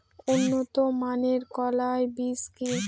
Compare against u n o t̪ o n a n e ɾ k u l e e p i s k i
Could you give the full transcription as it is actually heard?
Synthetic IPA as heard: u nː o t̪ o m a n e ɾ k ɔ l a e b i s k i